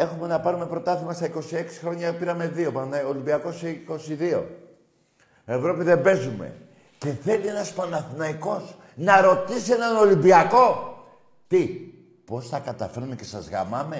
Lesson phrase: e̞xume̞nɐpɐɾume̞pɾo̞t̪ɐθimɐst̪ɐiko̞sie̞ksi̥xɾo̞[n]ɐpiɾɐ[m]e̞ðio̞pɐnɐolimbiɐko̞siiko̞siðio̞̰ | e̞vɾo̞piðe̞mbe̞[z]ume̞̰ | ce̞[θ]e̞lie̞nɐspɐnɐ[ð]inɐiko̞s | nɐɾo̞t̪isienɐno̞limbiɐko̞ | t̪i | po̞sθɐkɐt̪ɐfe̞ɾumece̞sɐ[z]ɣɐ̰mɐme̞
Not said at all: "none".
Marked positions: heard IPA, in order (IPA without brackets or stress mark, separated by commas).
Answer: ɲ, m, z, θ, θ, z